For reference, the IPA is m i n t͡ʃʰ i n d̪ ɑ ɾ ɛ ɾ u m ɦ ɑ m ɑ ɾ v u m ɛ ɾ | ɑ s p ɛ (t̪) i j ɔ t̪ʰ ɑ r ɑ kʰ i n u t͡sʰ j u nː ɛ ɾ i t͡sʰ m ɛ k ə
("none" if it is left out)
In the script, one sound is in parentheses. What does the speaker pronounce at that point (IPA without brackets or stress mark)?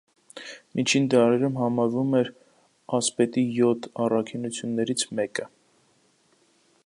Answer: t̪